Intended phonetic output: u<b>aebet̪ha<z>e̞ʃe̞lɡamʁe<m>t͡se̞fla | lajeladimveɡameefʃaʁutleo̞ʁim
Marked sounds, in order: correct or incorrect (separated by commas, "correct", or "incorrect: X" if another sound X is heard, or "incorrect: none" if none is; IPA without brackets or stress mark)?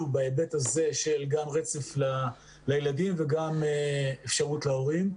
correct, correct, incorrect: none